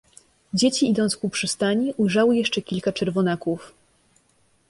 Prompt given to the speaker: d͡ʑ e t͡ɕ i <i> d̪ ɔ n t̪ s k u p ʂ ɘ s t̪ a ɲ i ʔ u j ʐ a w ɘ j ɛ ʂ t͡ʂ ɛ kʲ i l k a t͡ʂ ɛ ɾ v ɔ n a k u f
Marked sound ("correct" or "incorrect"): correct